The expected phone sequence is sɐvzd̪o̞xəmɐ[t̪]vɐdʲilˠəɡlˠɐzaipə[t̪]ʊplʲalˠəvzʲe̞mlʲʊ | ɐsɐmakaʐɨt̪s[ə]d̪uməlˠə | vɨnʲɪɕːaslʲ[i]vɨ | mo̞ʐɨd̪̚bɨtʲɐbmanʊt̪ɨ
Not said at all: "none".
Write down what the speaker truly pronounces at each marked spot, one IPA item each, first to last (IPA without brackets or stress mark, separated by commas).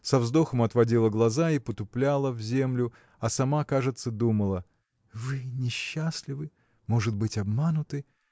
t̪, t̪, ə, ɪ